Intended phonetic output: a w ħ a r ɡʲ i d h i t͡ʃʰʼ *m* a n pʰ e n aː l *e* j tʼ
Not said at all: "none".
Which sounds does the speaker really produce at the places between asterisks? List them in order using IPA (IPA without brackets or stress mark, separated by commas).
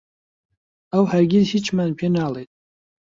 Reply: m, e